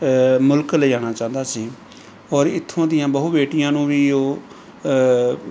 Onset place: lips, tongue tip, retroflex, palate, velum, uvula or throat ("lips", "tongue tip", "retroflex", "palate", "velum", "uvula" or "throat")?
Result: lips